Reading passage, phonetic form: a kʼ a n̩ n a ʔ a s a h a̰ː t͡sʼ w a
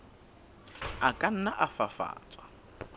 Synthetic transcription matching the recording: a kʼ a n̩ n a ʔ a f a f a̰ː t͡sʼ w a